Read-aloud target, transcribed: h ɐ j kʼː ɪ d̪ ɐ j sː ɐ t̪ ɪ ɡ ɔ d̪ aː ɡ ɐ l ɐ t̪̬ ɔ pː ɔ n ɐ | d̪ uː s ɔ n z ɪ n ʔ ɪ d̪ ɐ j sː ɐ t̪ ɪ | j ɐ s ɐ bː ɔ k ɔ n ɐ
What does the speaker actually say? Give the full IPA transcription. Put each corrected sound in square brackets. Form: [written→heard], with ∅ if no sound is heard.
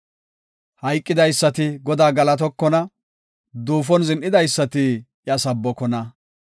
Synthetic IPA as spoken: h ɐ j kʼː ɪ d̪ ɐ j sː ɐ t̪ ɪ ɡ ɔ d̪ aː ɡ ɐ l ɐ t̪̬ ɔ [pː→kː] ɔ n ɐ | d̪ uː [s→f] ɔ n z ɪ n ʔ ɪ d̪ ɐ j sː ɐ t̪ ɪ | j ɐ s ɐ bː ɔ k ɔ n ɐ

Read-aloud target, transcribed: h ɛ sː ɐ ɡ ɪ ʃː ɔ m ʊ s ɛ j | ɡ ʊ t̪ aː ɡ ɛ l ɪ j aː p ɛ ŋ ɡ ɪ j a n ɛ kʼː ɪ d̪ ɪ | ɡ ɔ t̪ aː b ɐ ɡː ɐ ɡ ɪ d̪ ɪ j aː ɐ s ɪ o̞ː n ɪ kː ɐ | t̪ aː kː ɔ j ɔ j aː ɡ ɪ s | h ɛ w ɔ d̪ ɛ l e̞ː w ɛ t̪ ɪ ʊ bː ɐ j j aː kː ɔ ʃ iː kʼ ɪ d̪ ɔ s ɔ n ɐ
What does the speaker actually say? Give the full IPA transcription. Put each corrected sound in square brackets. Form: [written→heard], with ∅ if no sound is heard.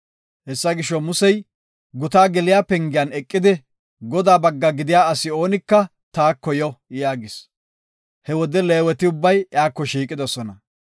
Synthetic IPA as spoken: h ɛ sː ɐ ɡ ɪ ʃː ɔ m ʊ s ɛ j | ɡ ʊ t̪ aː ɡ ɛ l ɪ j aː p ɛ ŋ ɡ ɪ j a n ɛ kʼː ɪ d̪ ɪ | ɡ ɔ [t̪→d̪] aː b ɐ ɡː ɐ ɡ ɪ d̪ ɪ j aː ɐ s ɪ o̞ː n ɪ kː ɐ | t̪ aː kː ɔ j ɔ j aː ɡ ɪ s | h ɛ w ɔ d̪ ɛ l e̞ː w ɛ t̪ ɪ ʊ bː ɐ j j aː kː ɔ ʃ iː kʼ ɪ d̪ ɔ s ɔ n ɐ

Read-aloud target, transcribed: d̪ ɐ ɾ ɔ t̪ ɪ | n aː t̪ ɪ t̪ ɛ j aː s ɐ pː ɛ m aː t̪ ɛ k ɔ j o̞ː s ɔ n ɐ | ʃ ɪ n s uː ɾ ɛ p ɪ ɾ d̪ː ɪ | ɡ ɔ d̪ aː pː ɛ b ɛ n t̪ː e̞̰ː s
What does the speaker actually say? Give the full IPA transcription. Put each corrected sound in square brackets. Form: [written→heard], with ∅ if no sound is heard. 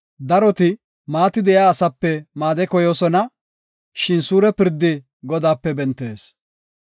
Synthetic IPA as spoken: d̪ ɐ ɾ ɔ t̪ ɪ | [n→m] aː t̪ ɪ [t̪→d̪] ɛ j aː s ɐ pː ɛ m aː [t̪→d̪] ɛ k ɔ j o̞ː s ɔ n ɐ | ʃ ɪ n s uː ɾ ɛ p ɪ ɾ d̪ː ɪ | ɡ ɔ d̪ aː pː ɛ b ɛ n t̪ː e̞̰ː s

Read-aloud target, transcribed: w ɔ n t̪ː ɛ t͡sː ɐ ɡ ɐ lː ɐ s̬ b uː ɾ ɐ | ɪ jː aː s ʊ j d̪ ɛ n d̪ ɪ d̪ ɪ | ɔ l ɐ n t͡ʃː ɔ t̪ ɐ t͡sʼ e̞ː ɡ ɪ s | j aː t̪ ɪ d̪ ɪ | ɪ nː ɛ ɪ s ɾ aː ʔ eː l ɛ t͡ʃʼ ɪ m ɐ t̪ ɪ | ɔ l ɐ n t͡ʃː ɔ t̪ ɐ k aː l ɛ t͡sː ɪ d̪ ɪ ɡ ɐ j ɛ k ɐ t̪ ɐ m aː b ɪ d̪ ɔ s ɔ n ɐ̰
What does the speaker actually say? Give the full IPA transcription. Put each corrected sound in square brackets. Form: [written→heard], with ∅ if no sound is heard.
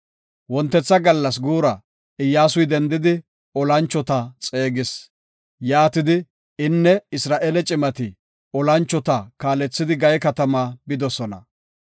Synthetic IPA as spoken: w ɔ n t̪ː ɛ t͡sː ɐ ɡ ɐ lː ɐ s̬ [b→ɡ] uː ɾ ɐ | ɪ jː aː s ʊ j d̪ ɛ n d̪ ɪ d̪ ɪ | ɔ l ɐ n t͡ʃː ɔ t̪ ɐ t͡sʼ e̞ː ɡ ɪ s | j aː t̪ ɪ d̪ ɪ | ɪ nː ɛ ɪ s ɾ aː ʔ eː l ɛ t͡ʃʼ ɪ m ɐ t̪ ɪ | ɔ l ɐ n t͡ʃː ɔ t̪ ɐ k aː l ɛ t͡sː ɪ d̪ ɪ ɡ ɐ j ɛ k ɐ t̪ ɐ m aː b ɪ d̪ ɔ s ɔ n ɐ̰

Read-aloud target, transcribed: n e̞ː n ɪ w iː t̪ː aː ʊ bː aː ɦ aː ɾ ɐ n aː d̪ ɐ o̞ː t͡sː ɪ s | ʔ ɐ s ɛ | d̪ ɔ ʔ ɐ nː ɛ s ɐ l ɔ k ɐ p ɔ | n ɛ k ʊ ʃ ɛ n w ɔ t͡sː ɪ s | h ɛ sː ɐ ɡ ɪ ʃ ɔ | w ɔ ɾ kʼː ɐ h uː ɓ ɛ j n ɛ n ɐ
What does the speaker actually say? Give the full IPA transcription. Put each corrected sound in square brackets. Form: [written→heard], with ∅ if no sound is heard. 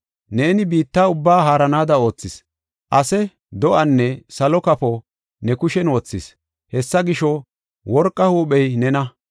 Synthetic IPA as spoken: n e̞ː n ɪ [w→b] iː t̪ː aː ʊ bː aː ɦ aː ɾ ɐ n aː d̪ ɐ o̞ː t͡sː ɪ s | ʔ ɐ s ɛ | d̪ ɔ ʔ ɐ nː ɛ s ɐ l ɔ k ɐ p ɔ | n ɛ k ʊ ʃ ɛ n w ɔ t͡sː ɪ s | h ɛ sː ɐ ɡ ɪ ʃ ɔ | w ɔ ɾ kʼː ɐ h uː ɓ ɛ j n ɛ n ɐ

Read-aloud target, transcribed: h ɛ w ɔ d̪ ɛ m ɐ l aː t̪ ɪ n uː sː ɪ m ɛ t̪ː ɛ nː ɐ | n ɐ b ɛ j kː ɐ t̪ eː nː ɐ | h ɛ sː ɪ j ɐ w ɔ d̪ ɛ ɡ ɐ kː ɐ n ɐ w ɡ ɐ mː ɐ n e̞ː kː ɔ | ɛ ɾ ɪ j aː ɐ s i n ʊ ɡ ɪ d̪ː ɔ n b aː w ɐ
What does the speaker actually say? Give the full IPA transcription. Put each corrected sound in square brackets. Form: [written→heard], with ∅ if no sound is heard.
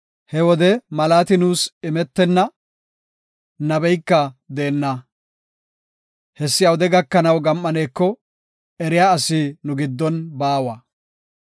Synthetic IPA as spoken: h ɛ w ɔ d̪ ɛ m ɐ l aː t̪ ɪ n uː [sː→s] ɪ m ɛ t̪ː ɛ nː ɐ | n ɐ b ɛ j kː ɐ [t̪→d̪] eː nː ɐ | h ɛ sː ɪ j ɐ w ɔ d̪ ɛ ɡ ɐ kː ɐ n ɐ w ɡ ɐ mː ɐ n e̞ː kː ɔ | ɛ ɾ ɪ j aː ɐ s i n ʊ ɡ ɪ d̪ː ɔ n b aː w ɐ

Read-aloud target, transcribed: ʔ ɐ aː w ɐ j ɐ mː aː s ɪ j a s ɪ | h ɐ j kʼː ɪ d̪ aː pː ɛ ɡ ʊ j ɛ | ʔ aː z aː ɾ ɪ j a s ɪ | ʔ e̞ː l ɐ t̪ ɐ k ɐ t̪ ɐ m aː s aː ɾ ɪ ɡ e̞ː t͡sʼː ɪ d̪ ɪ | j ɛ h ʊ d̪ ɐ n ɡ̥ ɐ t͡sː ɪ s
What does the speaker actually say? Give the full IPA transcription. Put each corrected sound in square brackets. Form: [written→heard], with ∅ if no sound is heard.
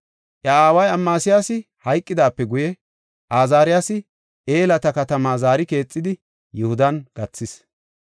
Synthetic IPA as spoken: ʔ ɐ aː w ɐ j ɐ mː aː s ɪ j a s ɪ | h ɐ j kʼː ɪ d̪ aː pː ɛ ɡ ʊ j ɛ | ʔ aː z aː ɾ ɪ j a s ɪ | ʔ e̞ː l ɐ t̪ ɐ k ɐ t̪ ɐ m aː [s→z] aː ɾ ɪ [ɡ→k] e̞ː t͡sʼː ɪ d̪ ɪ | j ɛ h ʊ d̪ ɐ n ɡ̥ ɐ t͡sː ɪ s

